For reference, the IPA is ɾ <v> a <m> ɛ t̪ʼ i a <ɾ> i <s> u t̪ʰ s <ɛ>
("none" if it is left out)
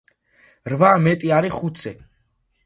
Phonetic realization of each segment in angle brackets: v, m, ɾ, χ, ɛ

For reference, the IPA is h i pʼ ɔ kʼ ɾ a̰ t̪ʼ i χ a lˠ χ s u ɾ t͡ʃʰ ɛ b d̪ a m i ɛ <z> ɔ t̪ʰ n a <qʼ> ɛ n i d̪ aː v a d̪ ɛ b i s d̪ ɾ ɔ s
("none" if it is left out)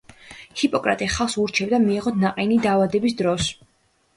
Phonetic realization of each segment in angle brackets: ʁ, qʼ

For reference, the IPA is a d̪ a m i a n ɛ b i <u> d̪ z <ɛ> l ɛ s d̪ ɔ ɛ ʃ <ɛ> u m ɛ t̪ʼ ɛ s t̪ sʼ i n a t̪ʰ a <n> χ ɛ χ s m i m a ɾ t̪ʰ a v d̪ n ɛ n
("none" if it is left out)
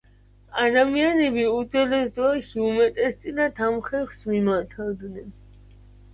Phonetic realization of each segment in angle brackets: u, ɛ, i, m

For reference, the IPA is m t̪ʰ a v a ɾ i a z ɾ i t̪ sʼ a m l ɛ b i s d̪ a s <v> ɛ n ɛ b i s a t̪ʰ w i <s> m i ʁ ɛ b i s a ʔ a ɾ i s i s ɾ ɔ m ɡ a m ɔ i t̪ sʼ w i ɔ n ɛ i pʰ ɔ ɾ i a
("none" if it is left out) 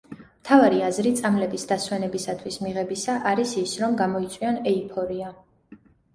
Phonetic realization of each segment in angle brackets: w, s

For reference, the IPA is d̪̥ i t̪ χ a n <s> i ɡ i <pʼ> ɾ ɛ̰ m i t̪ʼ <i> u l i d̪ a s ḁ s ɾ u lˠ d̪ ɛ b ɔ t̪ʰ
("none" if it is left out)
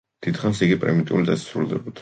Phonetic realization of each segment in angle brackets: s, pʼ, i

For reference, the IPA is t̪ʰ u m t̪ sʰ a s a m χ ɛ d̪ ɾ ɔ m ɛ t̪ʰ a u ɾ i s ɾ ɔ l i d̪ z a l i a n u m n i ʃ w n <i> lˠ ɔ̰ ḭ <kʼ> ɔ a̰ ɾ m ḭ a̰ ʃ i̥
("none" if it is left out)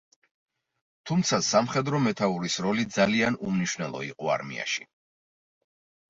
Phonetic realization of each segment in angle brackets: ɛ, qʼ

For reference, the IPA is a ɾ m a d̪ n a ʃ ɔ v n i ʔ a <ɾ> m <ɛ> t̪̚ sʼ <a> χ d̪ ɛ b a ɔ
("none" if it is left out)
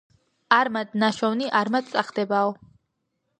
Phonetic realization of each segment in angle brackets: ɾ, a, a

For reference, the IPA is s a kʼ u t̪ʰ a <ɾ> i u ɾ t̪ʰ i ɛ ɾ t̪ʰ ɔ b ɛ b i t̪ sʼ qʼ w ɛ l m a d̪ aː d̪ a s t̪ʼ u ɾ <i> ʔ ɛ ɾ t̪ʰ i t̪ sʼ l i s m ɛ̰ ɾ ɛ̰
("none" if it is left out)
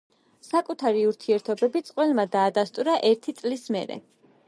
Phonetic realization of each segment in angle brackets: ɾ, a

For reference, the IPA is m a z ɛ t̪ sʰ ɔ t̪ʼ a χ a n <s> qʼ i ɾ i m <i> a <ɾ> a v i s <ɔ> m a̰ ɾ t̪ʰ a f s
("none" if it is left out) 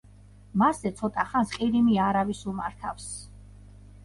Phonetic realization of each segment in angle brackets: s, i, ɾ, u

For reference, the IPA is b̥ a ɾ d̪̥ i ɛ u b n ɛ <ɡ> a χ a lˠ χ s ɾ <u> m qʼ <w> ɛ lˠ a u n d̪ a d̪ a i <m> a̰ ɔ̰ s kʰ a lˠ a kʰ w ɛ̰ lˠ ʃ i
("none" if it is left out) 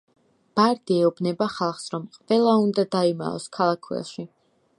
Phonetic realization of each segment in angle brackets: b, ɔ, v, m

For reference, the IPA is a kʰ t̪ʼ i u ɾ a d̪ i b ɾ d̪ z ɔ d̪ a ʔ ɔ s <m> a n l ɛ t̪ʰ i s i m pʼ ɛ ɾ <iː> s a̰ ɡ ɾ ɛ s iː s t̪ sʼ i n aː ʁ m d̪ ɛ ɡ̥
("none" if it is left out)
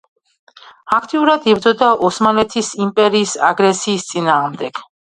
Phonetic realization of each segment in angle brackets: m, iː

